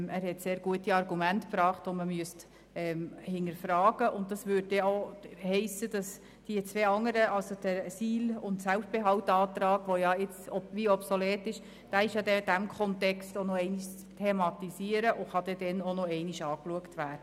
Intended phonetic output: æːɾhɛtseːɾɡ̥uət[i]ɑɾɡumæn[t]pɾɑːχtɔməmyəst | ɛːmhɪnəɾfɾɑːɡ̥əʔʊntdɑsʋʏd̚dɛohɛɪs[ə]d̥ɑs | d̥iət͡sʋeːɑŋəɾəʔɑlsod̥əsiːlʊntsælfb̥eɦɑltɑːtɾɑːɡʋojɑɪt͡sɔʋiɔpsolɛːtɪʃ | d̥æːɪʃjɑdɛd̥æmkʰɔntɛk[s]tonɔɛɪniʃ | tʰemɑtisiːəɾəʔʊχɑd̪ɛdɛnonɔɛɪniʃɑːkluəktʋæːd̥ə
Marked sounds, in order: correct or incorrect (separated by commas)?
correct, correct, correct, correct